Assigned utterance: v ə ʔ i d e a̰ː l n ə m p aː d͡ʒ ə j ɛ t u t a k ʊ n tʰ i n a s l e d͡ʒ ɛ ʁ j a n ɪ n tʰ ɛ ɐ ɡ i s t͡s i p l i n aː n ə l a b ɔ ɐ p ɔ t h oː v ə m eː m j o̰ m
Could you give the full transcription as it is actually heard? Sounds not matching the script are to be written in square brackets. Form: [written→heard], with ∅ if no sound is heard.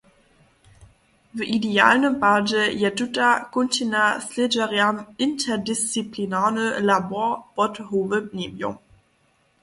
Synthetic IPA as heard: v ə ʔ i d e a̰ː l n ə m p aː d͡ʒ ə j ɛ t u t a k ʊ n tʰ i n a s l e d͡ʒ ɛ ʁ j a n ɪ n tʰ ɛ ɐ [ɡ→d] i s t͡s i p l i n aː n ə l a b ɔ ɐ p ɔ t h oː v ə [m→n] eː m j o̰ m

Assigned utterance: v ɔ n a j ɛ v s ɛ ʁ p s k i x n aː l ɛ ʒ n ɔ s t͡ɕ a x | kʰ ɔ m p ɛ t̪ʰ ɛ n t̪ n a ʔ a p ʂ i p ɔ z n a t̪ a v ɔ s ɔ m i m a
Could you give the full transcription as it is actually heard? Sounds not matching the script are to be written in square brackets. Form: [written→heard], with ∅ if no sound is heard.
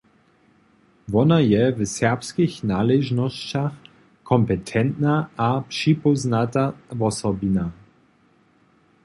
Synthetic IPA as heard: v ɔ n a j ɛ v s ɛ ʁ p s k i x n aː l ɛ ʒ n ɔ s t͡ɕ a x | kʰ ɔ m p ɛ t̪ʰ ɛ n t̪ n a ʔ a p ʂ i p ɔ z n a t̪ a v ɔ s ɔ [m→b] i [m→n] a

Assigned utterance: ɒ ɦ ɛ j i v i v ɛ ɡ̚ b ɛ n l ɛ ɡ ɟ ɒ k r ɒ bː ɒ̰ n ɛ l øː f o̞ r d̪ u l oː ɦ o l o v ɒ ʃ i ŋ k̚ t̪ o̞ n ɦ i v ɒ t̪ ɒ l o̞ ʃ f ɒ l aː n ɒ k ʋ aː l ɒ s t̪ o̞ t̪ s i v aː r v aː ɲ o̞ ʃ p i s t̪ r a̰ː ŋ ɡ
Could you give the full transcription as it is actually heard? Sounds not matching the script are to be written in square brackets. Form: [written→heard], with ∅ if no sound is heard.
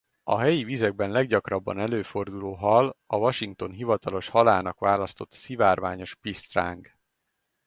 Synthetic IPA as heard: ɒ ɦ ɛ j i v i [v→z] ɛ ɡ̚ b ɛ n l ɛ ɡ ɟ ɒ k r ɒ bː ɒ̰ n ɛ l øː f o̞ r d̪ u l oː ɦ [o→ɒ] l [o→ɒ] v ɒ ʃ i ŋ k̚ t̪ o̞ n ɦ i v ɒ t̪ ɒ l o̞ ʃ [f→h] ɒ l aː n ɒ k ʋ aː l ɒ s t̪ o̞ t̪ s i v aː r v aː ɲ o̞ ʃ p i s t̪ r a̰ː ŋ ɡ

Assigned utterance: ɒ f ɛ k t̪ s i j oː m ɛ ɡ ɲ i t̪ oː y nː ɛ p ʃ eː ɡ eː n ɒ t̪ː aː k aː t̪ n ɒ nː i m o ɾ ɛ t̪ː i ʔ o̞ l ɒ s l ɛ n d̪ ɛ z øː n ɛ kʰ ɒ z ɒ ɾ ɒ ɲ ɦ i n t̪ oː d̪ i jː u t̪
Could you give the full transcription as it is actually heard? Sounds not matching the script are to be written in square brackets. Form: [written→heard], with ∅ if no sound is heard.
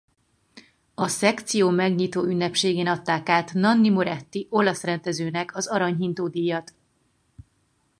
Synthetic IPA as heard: ɒ [f→s] ɛ k t̪ s i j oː m ɛ ɡ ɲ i t̪ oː y nː ɛ p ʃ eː ɡ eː n ɒ t̪ː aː k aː t̪ n ɒ nː i m o ɾ ɛ t̪ː i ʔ o̞ l ɒ s [l→r] ɛ n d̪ ɛ z øː n ɛ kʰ ɒ z ɒ ɾ ɒ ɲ ɦ i n t̪ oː d̪ i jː [u→ɒ] t̪

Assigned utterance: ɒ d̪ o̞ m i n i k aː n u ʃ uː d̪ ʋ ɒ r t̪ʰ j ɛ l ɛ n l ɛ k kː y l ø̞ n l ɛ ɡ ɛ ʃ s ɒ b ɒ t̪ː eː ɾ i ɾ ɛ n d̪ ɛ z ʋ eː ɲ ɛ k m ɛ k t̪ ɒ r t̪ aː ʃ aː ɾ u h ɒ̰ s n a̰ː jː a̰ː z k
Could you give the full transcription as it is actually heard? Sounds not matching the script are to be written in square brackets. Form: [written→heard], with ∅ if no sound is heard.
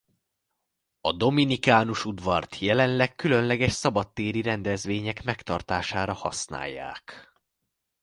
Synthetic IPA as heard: ɒ d̪ o̞ m i n i k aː n u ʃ [uː→u] d̪ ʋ ɒ r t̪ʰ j ɛ l ɛ n l ɛ k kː y l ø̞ n l ɛ ɡ ɛ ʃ s ɒ b ɒ t̪ː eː ɾ i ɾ ɛ n d̪ ɛ z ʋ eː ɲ ɛ k m ɛ k t̪ ɒ r t̪ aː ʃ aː ɾ [u→ɒ] h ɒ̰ s n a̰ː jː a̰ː [z→∅] k

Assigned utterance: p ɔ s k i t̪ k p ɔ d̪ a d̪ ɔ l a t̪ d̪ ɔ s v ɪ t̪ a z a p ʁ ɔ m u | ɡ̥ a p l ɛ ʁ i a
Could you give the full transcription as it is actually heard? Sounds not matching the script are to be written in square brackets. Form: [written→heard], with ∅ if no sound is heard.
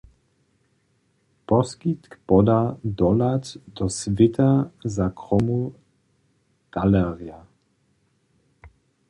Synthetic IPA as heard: p ɔ s k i t̪ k p ɔ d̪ a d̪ ɔ l a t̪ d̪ ɔ s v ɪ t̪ a z a [p→k] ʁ ɔ m u | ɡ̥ a [p→∅] l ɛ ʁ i a

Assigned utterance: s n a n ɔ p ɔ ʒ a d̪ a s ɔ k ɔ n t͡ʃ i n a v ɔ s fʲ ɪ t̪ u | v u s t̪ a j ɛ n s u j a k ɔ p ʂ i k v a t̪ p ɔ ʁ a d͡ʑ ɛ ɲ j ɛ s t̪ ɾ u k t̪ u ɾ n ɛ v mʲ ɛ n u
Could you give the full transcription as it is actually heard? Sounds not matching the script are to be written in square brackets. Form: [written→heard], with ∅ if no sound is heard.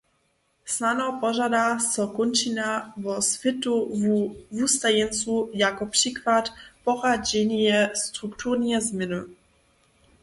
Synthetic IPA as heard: s n a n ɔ p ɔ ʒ a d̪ a s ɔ k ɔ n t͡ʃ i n a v ɔ s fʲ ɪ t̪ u | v u s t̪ a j ɛ n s u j a k ɔ p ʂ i k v a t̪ p ɔ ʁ a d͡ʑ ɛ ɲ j ɛ s t̪ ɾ u k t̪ u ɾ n ɛ [v→z] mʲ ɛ n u

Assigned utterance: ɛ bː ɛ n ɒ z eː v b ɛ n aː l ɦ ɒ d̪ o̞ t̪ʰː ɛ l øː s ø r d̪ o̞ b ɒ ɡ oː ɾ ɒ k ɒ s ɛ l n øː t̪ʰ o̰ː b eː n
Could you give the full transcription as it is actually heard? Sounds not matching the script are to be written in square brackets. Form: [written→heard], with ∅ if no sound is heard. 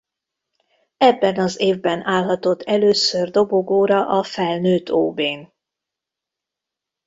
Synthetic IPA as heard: ɛ bː ɛ n ɒ z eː v b ɛ n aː l ɦ ɒ [d̪→t̪] o̞ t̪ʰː ɛ l øː s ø r d̪ o̞ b [ɒ→o] ɡ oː ɾ ɒ [k→ʔ] ɒ [s→f] ɛ l n øː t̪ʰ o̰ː b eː n

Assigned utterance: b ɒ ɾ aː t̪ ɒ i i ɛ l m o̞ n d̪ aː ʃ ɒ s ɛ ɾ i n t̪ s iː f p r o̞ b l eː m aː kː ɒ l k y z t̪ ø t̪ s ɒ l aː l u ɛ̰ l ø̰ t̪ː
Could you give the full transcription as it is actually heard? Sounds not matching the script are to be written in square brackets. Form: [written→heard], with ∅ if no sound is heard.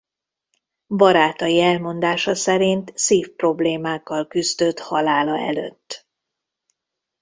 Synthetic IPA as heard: b ɒ ɾ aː t̪ ɒ [i→j] i ɛ l m o̞ n d̪ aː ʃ ɒ s ɛ ɾ i n t̪ s iː f p r o̞ b l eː m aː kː ɒ l k y z [t̪→d̪] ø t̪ [s→h] ɒ l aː l [u→ɒ] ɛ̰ l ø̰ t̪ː

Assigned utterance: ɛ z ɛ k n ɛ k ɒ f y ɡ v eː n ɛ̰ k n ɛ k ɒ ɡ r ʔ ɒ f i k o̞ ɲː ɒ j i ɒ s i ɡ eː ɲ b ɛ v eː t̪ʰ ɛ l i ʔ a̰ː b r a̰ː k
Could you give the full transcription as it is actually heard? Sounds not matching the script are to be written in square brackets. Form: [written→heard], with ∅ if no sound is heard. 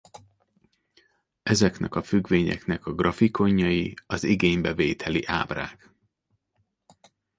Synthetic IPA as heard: ɛ z ɛ k n ɛ k ɒ f y ɡ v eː [n→ɲ] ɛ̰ k n ɛ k ɒ ɡ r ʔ ɒ f i k o̞ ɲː ɒ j i ɒ [s→z] i ɡ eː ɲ b ɛ v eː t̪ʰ ɛ l i ʔ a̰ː b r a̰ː k

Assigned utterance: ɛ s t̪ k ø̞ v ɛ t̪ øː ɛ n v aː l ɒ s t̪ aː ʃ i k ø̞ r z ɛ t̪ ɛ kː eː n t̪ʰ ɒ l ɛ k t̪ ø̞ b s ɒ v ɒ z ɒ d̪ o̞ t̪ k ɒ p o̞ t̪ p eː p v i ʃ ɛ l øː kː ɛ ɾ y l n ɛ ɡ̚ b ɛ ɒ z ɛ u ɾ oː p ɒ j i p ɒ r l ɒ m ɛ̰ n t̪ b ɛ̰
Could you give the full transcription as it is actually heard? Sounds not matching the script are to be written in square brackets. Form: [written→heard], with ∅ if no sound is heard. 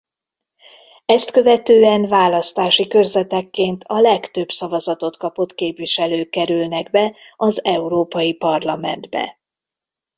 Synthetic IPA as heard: ɛ s t̪ k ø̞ v ɛ t̪ øː ɛ n v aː l ɒ s t̪ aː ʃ i k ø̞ r z ɛ t̪ ɛ kː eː n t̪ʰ ɒ l ɛ k t̪ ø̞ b s ɒ v ɒ z ɒ [d̪→t̪] o̞ t̪ k ɒ p o̞ t̪ [p→k] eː p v i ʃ ɛ l øː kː ɛ ɾ y l n ɛ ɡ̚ b ɛ ɒ z ɛ u ɾ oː p ɒ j i p ɒ r l ɒ m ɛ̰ n [t̪→d̪] b ɛ̰

